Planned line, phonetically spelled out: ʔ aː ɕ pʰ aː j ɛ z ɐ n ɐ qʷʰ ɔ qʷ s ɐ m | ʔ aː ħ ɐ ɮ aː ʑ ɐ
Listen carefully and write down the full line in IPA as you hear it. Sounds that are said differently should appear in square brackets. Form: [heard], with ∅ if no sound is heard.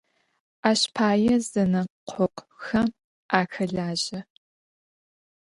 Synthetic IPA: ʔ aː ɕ pʰ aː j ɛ z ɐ n ɐ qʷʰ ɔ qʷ [x] ɐ m | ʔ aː [x] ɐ ɮ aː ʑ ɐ